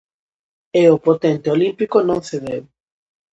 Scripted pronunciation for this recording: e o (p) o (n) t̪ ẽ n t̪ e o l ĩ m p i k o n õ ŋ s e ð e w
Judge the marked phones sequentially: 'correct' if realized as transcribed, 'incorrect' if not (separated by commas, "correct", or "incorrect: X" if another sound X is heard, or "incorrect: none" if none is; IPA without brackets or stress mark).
correct, incorrect: none